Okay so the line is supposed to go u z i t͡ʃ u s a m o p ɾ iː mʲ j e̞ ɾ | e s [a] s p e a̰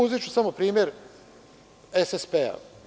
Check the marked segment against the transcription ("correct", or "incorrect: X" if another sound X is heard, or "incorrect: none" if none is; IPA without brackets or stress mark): incorrect: e